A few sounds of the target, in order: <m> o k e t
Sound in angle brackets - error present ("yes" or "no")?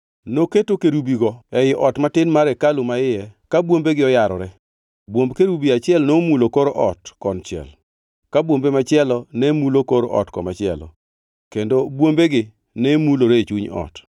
yes